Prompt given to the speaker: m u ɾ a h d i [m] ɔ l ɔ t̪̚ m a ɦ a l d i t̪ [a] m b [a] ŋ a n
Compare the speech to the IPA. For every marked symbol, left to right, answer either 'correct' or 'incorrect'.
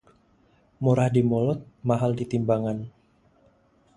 correct, incorrect: i, correct

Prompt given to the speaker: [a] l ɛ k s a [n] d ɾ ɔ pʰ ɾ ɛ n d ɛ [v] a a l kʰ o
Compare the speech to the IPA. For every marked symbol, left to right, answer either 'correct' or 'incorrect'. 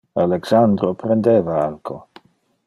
correct, correct, correct

